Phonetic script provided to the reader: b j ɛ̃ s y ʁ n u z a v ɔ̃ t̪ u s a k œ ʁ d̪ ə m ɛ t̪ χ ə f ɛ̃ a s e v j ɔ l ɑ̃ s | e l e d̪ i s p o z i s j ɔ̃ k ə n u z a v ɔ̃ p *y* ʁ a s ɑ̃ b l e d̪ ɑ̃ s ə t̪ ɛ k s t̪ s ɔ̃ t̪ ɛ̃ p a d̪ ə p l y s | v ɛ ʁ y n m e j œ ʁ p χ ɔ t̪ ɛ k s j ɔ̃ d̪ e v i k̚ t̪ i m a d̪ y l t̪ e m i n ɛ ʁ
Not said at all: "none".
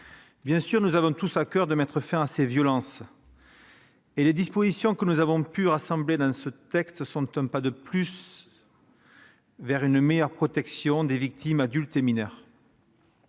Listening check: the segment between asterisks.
y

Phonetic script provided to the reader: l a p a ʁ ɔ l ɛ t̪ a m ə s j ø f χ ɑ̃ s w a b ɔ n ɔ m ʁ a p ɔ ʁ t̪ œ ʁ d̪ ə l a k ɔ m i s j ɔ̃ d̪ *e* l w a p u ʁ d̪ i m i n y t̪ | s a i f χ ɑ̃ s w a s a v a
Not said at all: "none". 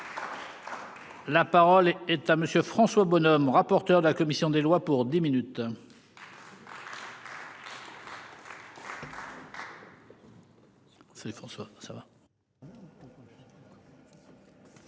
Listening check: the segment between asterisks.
e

